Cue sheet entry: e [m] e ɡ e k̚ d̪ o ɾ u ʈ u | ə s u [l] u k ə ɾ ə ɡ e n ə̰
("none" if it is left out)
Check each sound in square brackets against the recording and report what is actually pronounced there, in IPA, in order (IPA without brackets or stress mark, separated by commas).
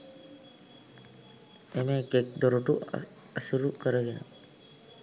m, ɾ